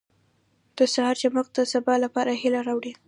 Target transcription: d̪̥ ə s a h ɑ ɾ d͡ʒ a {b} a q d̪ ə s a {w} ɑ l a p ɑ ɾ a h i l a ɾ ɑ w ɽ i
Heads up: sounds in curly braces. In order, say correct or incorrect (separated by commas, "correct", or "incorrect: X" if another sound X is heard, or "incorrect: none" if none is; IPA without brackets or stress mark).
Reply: incorrect: m, incorrect: b